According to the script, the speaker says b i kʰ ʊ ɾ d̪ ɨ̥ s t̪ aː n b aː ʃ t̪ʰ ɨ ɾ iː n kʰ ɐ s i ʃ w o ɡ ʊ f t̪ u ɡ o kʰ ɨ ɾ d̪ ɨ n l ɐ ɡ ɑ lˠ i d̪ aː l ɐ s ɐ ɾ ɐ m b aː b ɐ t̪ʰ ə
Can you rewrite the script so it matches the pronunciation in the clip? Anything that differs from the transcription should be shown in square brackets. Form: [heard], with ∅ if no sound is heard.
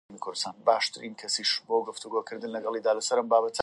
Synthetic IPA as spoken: [m] i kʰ ʊ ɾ d̪ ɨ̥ s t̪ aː n b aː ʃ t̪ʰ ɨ ɾ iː n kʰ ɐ s i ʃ [b] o ɡ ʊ f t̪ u ɡ o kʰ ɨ ɾ d̪ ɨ n l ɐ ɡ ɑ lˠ i d̪ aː l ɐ s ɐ ɾ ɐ m b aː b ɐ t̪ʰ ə